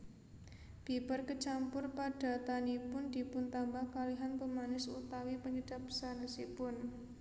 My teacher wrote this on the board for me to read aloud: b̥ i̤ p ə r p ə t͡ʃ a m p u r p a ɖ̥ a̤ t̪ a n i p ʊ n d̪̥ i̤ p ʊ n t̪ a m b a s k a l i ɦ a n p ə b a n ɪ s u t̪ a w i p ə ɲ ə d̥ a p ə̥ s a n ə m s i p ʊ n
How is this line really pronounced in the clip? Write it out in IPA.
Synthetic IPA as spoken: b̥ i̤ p ə r k ə t͡ʃ a m p ʊ r p a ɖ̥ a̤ t̪ a n i p ʊ n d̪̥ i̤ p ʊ n t̪ a m b a h k a l i ɦ a n p ə m a n ɪ s u t̪ a w i p ə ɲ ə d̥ a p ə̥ s a n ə s i p ʊ n